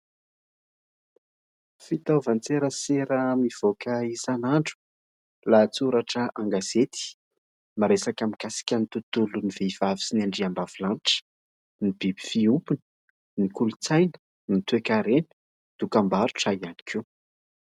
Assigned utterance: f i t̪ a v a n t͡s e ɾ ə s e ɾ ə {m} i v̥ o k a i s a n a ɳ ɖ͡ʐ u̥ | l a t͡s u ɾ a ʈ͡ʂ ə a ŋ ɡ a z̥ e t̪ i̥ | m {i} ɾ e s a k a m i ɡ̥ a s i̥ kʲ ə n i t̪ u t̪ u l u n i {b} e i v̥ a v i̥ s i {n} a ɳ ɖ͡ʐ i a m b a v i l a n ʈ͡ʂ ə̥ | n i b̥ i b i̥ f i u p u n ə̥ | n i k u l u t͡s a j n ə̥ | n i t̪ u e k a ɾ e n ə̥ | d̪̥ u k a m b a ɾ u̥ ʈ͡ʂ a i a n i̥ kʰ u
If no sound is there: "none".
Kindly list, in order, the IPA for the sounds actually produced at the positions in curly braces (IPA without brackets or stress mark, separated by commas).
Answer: m, a, v, n